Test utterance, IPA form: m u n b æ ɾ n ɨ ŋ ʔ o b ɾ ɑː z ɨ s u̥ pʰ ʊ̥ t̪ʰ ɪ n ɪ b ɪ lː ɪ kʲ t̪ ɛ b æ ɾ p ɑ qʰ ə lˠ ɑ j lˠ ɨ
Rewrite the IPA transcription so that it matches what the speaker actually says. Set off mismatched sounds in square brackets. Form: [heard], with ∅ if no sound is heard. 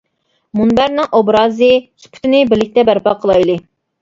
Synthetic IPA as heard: m u n b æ ɾ n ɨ ŋ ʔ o b ɾ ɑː z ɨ s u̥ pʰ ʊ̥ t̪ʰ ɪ n ɪ b ɪ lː ɪ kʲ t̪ ɛ b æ ɾ p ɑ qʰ ə lˠ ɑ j lˠ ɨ